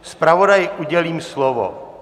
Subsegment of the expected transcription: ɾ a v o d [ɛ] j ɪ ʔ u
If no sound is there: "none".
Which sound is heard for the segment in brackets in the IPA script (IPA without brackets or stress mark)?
a